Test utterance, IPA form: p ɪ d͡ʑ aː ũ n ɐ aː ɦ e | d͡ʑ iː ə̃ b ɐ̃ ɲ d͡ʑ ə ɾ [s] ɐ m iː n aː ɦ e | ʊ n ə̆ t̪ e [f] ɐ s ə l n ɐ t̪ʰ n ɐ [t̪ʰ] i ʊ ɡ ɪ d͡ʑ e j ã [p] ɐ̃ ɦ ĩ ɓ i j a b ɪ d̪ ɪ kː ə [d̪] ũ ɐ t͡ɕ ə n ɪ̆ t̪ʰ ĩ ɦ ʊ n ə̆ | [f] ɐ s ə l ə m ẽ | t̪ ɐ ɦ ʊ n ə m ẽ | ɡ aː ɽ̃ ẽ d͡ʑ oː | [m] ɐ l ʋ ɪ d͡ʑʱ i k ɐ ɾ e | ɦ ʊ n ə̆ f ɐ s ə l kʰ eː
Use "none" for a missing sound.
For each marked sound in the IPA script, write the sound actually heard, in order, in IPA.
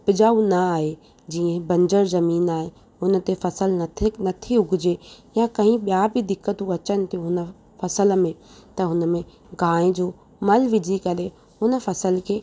z, f, t̪ʰ, k, t̪, f, m

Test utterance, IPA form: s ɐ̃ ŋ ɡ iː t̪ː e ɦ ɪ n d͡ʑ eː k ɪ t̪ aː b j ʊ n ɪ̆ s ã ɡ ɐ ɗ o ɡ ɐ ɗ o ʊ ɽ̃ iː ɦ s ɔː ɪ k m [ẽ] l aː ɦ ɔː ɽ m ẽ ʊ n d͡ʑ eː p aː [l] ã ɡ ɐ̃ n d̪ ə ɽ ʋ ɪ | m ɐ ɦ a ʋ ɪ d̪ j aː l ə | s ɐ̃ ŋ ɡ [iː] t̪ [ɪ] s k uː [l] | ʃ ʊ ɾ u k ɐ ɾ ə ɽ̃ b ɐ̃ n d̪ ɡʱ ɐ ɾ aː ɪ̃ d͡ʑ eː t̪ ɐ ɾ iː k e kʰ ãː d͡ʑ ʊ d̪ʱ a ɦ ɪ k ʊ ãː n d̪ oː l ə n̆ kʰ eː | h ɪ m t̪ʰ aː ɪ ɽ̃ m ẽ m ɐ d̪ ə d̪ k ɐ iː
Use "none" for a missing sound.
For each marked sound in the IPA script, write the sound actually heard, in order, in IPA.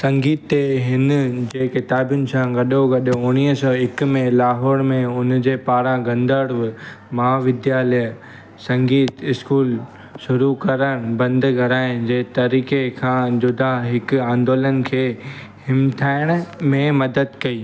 ẽ, ɾ, iː, ɪ, l

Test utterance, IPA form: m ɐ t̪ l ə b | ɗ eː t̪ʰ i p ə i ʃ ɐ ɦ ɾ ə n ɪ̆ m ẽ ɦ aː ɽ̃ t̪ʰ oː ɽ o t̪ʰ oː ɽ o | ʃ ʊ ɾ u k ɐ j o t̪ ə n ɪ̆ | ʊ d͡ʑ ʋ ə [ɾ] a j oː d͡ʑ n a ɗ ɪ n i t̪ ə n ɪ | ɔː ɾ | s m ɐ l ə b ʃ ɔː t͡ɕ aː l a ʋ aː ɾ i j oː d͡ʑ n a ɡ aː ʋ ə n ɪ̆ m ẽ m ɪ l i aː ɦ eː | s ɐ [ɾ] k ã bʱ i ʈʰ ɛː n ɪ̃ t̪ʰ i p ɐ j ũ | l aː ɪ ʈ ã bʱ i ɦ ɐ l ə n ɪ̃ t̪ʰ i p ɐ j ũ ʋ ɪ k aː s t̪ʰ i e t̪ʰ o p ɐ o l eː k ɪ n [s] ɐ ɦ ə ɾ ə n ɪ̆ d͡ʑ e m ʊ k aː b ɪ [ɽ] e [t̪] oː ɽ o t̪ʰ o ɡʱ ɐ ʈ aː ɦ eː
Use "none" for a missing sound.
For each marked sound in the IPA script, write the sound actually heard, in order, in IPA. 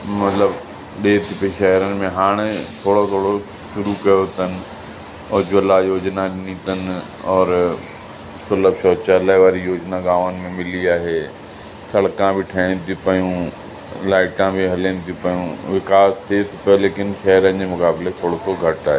l, ɽ, ʃ, l, t̪ʰ

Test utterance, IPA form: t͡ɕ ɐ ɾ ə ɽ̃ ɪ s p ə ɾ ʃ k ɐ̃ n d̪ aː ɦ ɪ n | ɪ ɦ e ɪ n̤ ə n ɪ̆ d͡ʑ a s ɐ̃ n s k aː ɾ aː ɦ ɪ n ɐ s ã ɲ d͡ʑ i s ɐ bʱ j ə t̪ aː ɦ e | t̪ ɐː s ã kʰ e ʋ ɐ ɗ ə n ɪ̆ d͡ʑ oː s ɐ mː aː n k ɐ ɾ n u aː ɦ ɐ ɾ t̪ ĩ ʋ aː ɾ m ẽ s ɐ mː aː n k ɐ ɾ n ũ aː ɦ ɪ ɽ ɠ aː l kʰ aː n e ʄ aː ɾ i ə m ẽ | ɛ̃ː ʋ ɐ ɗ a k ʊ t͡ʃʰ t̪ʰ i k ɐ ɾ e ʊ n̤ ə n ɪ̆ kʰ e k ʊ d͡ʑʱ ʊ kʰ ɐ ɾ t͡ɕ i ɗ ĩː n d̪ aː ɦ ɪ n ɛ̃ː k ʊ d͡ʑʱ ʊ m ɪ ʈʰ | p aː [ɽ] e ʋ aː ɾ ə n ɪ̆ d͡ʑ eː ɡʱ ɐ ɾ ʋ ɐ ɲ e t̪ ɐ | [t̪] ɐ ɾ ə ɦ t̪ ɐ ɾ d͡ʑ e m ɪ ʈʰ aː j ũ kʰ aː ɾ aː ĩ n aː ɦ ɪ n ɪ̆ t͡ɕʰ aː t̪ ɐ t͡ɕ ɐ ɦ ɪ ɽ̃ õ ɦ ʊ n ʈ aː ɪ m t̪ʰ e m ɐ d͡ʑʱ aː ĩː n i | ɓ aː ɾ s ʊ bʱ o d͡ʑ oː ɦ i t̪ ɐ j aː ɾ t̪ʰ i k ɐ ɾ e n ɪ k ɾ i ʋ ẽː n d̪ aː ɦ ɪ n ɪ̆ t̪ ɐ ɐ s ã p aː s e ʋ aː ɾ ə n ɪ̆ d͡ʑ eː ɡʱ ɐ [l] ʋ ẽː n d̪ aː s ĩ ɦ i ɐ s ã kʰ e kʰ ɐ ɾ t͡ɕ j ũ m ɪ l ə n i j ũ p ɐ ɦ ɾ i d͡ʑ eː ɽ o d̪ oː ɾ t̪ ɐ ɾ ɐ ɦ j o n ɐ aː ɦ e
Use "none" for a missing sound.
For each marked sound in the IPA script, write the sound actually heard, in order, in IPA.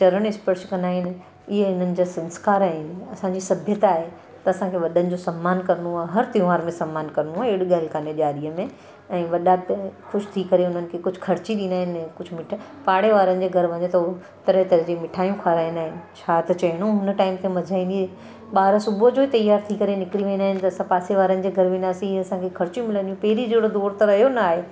ɽ, t̪, ɾ

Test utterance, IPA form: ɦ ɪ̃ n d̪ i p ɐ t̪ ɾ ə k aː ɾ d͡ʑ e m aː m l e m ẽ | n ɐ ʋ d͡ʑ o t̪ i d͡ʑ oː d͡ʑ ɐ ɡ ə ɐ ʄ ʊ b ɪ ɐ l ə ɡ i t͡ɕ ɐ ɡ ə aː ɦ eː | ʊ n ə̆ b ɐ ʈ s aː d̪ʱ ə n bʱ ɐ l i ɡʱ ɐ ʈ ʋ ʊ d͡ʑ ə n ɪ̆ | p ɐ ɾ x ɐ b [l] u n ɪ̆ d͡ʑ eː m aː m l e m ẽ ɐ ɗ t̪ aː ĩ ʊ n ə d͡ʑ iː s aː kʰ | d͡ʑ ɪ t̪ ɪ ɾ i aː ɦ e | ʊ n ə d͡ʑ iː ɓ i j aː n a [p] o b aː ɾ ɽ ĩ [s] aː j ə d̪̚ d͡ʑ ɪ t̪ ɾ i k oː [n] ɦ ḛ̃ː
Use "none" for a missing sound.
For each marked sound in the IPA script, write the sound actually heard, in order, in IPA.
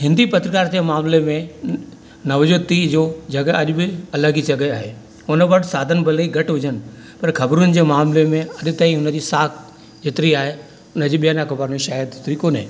ɾ, k, ʃ, n

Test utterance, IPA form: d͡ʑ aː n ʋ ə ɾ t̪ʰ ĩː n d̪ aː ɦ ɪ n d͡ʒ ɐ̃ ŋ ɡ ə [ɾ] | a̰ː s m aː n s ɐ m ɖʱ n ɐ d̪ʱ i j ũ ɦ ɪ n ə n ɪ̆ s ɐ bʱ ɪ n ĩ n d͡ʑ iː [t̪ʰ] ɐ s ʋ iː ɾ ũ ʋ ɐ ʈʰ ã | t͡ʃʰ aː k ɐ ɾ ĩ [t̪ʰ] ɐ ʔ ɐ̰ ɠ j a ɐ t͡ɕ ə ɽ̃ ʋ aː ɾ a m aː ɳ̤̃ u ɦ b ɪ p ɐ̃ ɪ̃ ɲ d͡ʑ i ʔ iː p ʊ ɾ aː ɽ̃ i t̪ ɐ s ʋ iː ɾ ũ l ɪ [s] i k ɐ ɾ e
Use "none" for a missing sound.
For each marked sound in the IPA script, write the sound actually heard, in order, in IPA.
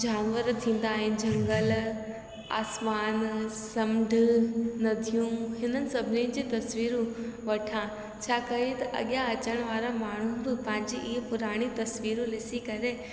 l, t̪, t̪, s

